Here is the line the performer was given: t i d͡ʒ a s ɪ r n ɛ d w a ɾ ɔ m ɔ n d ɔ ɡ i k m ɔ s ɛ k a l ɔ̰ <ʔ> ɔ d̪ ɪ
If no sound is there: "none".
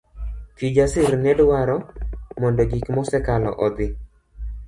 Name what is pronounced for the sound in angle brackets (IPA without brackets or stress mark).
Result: ʔ